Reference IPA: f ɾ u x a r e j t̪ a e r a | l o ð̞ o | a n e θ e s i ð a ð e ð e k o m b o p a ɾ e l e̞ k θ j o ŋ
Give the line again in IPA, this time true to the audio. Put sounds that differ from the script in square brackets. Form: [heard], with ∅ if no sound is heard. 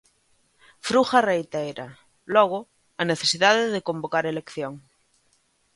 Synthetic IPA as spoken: f ɾ u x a r e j t̪ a e [ɾ] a | l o [ɣ̞] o | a n e θ e s i ð a ð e ð e k o m b o [k] a ɾ e l e̞ k θ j o ŋ